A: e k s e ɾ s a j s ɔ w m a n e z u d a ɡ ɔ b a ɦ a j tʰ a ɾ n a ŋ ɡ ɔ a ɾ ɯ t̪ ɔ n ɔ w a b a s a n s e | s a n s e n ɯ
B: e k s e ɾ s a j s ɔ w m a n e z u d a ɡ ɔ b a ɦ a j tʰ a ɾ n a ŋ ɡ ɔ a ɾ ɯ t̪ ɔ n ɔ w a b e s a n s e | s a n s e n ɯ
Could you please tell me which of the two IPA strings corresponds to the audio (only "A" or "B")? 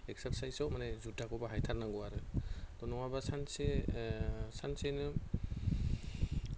A